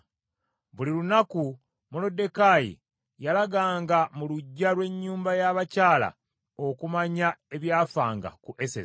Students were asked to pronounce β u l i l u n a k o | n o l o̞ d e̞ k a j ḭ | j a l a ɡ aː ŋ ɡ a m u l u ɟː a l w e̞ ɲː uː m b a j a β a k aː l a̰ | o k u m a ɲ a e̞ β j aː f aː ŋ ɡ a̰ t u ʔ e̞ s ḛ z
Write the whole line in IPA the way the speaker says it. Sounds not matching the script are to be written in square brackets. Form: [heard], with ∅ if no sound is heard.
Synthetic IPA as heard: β u l i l u n a k [u] | [m] o l o̞ d e̞ k a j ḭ | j a l a ɡ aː ŋ ɡ a m u l u ɟː a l w e̞ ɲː uː m b a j a β a [c] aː l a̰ | o k u m a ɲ a e̞ β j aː f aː ŋ ɡ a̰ [k] u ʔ e̞ s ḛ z